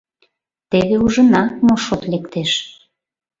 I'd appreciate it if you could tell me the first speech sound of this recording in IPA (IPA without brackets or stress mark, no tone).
t̪